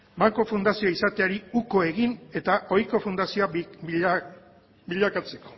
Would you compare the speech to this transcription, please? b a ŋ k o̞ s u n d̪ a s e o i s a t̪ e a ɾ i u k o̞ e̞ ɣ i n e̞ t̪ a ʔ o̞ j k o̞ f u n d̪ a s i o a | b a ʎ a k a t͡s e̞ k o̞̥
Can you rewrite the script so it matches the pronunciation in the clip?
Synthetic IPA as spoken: b a ŋ k o̞ f u n d̪ a s i o i s a t̪ e a ɾ i u k o̞ e̞ ɣ i n e̞ t̪ a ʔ o̞ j k o̞ f u n d̪ a s i o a | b i ʎ a k a t͡s e̞ k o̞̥